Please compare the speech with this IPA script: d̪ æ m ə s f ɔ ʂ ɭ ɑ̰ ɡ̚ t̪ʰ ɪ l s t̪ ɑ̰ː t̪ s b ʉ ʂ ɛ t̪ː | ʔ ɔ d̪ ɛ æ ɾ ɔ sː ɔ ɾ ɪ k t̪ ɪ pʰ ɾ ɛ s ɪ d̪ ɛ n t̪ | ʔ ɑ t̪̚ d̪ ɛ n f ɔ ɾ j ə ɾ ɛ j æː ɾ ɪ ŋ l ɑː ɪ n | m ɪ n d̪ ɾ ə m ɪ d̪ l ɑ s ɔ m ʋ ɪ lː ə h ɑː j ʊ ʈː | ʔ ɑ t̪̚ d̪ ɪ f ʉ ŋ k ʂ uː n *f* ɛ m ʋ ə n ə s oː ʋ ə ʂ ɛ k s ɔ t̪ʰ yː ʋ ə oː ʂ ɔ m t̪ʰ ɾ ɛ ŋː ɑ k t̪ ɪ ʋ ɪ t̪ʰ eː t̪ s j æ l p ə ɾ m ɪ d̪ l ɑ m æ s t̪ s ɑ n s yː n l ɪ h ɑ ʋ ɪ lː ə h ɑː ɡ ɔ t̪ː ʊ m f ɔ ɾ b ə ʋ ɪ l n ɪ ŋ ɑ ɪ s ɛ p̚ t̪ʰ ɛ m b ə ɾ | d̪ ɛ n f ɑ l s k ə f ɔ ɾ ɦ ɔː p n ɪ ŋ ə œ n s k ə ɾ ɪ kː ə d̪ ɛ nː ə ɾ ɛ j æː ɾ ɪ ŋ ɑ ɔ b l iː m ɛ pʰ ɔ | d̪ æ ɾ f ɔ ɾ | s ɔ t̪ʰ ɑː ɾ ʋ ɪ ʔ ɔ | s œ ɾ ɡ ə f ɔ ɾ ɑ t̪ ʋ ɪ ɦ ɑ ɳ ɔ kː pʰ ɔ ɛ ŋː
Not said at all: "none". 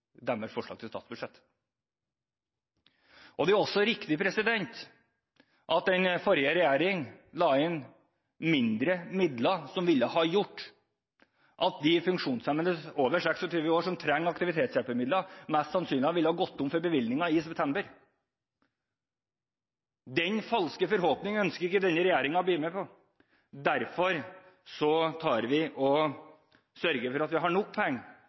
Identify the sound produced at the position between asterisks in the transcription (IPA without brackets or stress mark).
s